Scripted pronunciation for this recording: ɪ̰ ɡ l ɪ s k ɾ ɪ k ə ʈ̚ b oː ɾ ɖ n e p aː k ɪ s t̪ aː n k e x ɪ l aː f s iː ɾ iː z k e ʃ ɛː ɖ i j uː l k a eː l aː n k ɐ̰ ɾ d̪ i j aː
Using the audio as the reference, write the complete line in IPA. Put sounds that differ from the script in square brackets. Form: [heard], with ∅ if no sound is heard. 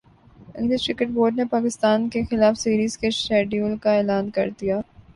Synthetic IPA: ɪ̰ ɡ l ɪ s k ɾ ɪ k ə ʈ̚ b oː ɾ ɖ n e p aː k ɪ s t̪ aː n k e x ɪ l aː f s iː ɾ iː z k e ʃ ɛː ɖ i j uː l k a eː l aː n k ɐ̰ ɾ d̪ i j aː